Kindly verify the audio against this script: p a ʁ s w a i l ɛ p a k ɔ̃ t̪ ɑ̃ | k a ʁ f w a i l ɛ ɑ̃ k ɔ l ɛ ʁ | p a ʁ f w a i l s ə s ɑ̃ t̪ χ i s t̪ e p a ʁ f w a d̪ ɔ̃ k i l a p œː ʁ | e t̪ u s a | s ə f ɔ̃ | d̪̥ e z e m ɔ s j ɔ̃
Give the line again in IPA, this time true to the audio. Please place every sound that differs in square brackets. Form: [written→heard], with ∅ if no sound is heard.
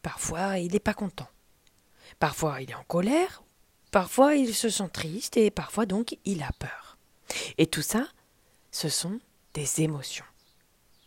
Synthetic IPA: p a ʁ [s→f] w a i l ɛ p a k ɔ̃ t̪ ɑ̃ | [k→p] a ʁ f w a i l ɛ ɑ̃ k ɔ l ɛ ʁ | p a ʁ f w a i l s ə s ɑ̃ t̪ χ i s t̪ e p a ʁ f w a d̪ ɔ̃ k i l a p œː ʁ | e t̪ u s a | s ə [f→s] ɔ̃ | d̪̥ e z e m ɔ s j ɔ̃